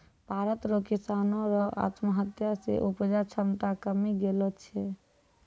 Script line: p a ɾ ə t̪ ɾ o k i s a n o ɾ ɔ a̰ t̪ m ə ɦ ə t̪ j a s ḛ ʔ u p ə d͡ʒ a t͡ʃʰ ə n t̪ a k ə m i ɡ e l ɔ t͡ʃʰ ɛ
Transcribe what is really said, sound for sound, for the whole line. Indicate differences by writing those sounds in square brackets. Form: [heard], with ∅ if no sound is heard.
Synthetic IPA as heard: p a ɾ ə t̪ ɾ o k i s a n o ɾ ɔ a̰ t̪ m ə ɦ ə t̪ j a s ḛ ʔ u p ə d͡ʒ a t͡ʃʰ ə [m] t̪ a k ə m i ɡ e l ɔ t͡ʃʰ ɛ